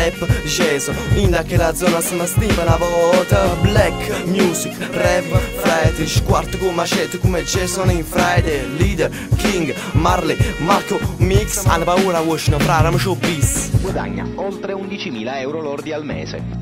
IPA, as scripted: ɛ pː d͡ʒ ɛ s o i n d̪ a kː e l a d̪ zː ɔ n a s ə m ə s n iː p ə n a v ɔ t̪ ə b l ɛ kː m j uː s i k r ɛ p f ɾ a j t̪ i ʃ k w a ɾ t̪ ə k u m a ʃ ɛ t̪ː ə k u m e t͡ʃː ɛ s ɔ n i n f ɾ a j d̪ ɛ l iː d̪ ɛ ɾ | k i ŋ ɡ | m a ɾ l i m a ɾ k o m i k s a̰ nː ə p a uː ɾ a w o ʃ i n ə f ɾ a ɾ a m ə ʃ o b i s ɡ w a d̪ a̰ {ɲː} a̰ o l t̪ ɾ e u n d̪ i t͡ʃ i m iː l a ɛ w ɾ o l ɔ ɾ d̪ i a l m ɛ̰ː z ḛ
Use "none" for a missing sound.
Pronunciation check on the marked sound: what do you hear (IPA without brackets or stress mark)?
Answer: ɲː